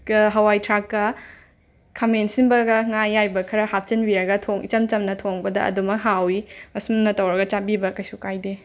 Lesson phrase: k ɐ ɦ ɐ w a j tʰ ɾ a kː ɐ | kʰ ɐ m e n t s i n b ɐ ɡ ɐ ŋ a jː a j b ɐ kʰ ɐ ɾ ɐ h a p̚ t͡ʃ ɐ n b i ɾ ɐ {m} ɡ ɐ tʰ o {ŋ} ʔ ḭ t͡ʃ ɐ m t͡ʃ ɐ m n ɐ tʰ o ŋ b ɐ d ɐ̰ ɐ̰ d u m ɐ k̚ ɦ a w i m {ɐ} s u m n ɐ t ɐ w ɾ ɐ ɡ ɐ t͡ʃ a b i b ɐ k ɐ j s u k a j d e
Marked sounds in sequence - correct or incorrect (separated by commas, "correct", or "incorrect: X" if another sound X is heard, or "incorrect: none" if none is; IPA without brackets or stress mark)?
incorrect: none, correct, correct